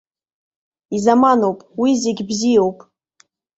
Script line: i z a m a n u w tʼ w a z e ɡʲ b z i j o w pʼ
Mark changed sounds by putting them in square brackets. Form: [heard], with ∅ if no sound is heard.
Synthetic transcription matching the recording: i z a m a n [o] w [pʼ] w [i] z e ɡʲ b z i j o w pʼ